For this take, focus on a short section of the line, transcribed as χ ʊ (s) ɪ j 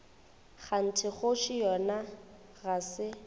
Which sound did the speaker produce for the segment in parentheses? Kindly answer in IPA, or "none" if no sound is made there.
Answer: ʃ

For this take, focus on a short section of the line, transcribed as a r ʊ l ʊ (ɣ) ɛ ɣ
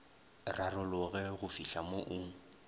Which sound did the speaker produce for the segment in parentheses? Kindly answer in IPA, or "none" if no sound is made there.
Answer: ɣ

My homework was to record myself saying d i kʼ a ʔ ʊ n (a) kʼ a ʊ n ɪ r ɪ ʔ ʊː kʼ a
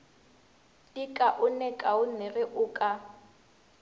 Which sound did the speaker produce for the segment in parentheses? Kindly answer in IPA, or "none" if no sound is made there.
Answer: ɛ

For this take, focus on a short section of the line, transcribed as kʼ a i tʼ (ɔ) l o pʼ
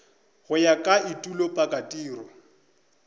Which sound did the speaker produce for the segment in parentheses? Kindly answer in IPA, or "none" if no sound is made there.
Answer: u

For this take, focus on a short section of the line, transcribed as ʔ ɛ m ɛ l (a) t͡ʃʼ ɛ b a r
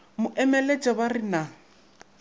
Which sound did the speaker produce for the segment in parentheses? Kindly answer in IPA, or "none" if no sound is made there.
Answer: e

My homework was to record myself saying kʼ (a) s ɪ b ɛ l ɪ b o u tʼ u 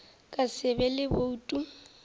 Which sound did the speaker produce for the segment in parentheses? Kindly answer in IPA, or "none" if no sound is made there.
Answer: a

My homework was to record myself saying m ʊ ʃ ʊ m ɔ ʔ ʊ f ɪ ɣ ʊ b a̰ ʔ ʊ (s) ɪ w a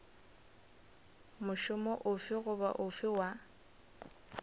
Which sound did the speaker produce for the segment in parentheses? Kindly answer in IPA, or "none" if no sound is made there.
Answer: f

